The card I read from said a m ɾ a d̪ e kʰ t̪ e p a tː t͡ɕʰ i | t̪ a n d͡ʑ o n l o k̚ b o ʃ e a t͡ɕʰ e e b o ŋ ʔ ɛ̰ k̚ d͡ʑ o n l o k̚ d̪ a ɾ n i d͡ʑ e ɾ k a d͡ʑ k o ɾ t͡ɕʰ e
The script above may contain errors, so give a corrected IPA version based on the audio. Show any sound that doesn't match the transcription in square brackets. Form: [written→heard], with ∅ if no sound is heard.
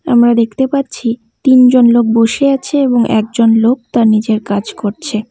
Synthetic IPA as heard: a m ɾ a d̪ e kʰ t̪ e p a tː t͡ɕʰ i | t̪ [a→i] n d͡ʑ o n l o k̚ b o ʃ e a t͡ɕʰ e e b o ŋ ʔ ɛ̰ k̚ d͡ʑ o n l o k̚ [d̪→t̪] a ɾ n i d͡ʑ e ɾ k a d͡ʑ k o ɾ t͡ɕʰ e